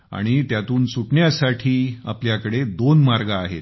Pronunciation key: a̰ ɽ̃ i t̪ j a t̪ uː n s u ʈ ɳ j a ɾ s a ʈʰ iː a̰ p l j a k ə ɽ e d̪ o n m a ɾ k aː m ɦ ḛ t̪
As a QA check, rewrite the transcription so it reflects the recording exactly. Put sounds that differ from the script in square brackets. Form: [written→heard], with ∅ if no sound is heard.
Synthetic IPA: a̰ ɽ̃ i t̪ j a t̪ uː n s u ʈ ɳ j a [ɾ→∅] s a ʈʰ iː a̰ p l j a k ə ɽ e d̪ o n m a ɾ [k→ɡ] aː [m→∅] ɦ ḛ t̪